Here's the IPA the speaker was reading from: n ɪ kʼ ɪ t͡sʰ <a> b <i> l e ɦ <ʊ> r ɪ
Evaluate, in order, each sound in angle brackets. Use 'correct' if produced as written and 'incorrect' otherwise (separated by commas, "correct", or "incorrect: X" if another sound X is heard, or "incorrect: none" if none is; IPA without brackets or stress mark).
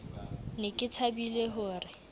correct, correct, incorrect: ʊː